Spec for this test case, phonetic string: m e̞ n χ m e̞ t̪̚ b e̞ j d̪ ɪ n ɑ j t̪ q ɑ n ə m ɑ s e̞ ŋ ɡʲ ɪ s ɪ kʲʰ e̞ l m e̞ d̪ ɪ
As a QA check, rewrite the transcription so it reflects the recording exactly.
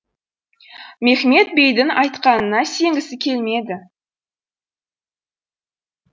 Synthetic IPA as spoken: m e̞ χ m e̞ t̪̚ b e̞ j d̪ ɪ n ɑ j t̪ q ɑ n ə n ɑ s e̞ ŋ ɡʲ ɪ s ɪ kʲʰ e̞ l m e̞ d̪ ɪ